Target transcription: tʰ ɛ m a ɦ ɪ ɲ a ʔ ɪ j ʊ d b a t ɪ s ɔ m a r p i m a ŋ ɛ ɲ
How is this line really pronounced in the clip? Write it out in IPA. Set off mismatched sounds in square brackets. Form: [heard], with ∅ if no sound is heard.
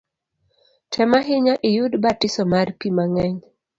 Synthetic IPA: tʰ ɛ m a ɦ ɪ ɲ a ʔ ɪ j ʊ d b a t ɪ s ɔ m a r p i m a ŋ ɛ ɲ

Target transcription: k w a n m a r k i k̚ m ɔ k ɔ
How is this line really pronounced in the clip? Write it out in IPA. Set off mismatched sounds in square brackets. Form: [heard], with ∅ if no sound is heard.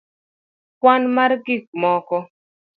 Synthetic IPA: k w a n m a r [ɡ] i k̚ m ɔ k ɔ

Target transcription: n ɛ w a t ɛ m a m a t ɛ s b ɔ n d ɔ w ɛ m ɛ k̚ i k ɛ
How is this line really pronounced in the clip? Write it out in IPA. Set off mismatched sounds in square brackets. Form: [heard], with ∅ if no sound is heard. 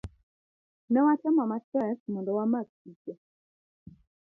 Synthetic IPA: n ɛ w a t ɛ m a m a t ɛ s [m] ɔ n d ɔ w [a] m [a] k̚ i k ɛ

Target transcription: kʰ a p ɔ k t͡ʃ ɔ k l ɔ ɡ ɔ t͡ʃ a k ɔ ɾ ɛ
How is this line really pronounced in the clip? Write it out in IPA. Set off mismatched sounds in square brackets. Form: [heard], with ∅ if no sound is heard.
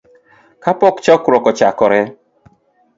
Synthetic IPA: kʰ a p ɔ k t͡ʃ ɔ k [ɾ] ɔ [k] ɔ t͡ʃ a k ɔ ɾ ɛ

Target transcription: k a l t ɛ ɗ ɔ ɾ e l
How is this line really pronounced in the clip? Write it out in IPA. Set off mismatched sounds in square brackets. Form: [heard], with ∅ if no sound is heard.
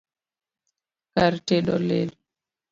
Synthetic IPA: k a [ɾ] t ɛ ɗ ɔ [l] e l

